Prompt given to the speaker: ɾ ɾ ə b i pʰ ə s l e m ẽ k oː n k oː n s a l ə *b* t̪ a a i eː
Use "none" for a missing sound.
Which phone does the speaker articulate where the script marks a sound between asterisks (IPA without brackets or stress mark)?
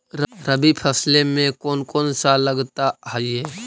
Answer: ɡ